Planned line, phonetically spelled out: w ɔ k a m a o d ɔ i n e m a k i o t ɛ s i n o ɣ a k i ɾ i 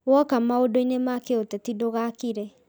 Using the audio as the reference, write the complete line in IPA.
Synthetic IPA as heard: w ɔ k a m a o d o i n e m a k e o t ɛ t i d o ɣ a k i ɾ ɛ